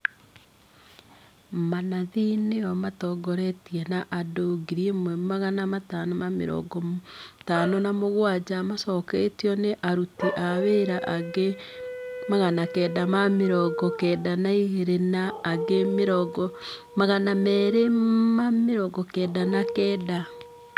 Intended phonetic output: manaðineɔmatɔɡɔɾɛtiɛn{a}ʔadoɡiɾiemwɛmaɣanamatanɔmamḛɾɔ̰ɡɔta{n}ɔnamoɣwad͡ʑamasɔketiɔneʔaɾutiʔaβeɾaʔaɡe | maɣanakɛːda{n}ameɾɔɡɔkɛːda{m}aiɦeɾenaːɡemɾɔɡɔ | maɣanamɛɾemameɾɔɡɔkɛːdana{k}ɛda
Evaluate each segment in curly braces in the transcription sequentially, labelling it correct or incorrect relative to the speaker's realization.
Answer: correct, correct, incorrect: m, incorrect: n, correct

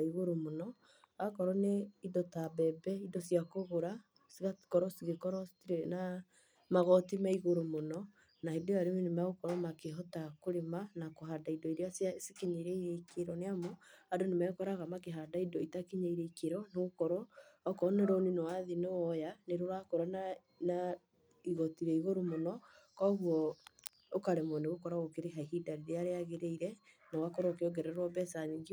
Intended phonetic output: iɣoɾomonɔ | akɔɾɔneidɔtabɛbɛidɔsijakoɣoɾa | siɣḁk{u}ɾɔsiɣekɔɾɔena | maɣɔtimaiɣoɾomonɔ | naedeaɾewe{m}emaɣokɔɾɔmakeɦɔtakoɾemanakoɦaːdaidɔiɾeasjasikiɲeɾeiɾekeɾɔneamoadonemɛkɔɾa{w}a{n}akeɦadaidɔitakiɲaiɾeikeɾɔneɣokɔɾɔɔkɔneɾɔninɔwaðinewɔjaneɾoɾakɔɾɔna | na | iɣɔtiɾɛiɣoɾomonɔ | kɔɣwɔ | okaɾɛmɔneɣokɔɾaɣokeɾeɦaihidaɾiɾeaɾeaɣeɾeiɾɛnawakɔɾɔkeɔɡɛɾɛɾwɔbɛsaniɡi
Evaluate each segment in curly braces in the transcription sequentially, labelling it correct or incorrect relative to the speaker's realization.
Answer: incorrect: ɔ, incorrect: n, incorrect: ɣ, incorrect: m

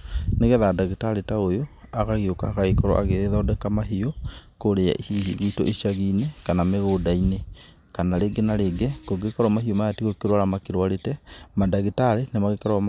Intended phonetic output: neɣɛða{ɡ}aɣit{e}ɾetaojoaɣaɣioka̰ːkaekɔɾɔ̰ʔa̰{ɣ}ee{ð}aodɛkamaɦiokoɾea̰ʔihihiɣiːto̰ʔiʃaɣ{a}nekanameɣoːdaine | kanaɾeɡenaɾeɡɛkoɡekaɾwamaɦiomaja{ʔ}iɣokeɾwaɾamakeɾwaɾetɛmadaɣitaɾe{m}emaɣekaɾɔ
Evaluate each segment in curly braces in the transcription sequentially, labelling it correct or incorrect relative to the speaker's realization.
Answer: incorrect: d, incorrect: a, correct, correct, incorrect: i, incorrect: t, incorrect: n

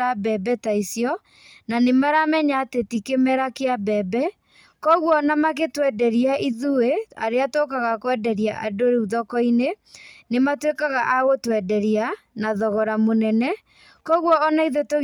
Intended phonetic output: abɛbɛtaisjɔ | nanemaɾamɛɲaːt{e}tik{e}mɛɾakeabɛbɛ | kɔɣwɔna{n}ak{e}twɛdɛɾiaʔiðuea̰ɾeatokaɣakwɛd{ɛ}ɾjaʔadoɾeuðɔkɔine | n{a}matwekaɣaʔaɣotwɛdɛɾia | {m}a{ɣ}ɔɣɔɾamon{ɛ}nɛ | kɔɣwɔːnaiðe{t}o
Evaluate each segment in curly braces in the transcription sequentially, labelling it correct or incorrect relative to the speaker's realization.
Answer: correct, correct, incorrect: m, correct, correct, incorrect: e, incorrect: n, incorrect: ð, correct, correct

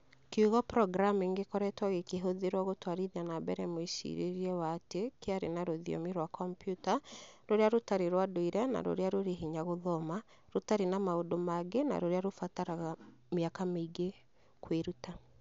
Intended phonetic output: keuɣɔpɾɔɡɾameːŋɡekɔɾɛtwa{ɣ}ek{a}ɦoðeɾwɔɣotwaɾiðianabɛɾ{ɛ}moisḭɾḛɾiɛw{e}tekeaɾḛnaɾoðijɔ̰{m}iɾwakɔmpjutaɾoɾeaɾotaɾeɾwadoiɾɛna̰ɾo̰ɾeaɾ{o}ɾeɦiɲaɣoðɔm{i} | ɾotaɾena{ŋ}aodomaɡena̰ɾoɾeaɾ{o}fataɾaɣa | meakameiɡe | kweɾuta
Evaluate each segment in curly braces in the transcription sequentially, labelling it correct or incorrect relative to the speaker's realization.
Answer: correct, incorrect: e, correct, incorrect: a, correct, correct, incorrect: a, incorrect: m, correct

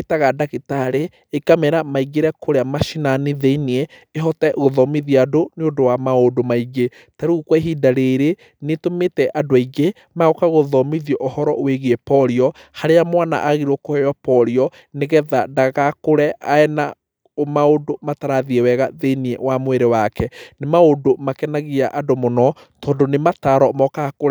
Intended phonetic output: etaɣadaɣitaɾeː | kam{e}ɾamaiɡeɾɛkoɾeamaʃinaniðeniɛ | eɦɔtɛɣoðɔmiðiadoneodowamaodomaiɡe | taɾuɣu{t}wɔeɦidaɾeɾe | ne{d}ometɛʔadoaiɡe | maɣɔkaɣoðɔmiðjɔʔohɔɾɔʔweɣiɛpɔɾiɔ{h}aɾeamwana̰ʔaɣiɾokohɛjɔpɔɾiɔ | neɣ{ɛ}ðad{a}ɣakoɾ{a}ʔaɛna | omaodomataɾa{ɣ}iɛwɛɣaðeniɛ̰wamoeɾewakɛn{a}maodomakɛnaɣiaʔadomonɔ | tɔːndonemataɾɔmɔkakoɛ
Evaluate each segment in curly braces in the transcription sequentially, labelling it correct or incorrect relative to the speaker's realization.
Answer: incorrect: ɛ, incorrect: k, incorrect: t, correct, correct, correct, incorrect: ɛ, incorrect: ð, incorrect: e

